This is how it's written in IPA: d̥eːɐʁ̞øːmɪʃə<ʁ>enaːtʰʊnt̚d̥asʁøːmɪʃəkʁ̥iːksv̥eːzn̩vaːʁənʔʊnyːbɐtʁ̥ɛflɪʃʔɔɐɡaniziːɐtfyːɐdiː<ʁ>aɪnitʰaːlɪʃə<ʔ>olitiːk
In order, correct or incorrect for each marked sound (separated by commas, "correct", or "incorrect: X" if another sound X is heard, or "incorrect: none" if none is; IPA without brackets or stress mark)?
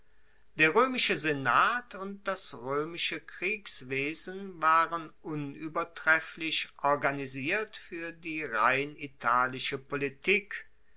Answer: incorrect: z, correct, incorrect: p